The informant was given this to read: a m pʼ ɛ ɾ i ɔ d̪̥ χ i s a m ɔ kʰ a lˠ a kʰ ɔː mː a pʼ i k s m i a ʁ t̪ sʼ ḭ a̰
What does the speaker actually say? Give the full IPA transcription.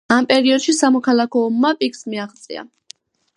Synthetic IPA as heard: a m pʼ ɛ ɾ i ɔ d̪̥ ʃ i s a m ɔ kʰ a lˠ a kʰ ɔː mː a pʼ i k s m i a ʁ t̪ sʼ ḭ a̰